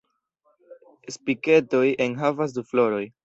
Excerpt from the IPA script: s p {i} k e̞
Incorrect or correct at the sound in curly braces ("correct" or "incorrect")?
correct